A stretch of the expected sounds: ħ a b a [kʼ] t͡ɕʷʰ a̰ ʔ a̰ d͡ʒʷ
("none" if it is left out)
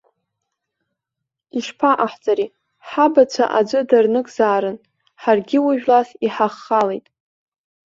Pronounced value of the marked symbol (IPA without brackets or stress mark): none